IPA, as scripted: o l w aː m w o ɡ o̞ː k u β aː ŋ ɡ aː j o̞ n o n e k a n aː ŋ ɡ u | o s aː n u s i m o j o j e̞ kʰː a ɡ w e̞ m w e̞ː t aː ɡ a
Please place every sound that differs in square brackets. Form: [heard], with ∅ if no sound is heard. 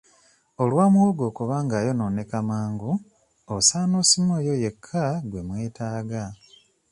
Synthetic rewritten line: o l w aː m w o ɡ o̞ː k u β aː ŋ ɡ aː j o̞ n o n e k a [m] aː ŋ ɡ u | o s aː n [o] s i m o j o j e̞ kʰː a ɡ w e̞ m w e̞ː t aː ɡ a